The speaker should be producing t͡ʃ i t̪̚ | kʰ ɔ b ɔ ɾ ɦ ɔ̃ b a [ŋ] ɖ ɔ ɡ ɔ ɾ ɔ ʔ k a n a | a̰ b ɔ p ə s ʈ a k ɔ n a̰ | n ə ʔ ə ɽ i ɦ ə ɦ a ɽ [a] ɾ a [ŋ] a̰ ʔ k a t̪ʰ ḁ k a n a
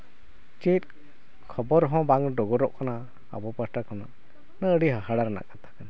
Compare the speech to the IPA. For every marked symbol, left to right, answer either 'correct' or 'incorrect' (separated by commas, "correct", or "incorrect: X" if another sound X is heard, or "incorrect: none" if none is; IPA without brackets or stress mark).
correct, correct, incorrect: n